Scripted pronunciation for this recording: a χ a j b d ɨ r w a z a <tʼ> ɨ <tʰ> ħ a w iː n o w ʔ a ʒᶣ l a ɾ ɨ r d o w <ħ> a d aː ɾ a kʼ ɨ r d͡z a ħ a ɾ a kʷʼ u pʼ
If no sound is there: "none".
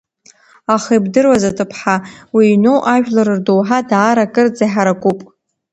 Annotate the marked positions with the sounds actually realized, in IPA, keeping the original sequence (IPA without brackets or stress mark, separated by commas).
tʼ, pʰ, ħ